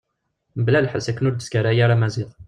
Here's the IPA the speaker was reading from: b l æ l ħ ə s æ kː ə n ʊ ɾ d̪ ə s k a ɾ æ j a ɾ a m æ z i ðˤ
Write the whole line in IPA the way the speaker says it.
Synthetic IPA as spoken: b l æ l ħ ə s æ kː ə n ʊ ɾ d̪ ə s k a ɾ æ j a ɾ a m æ z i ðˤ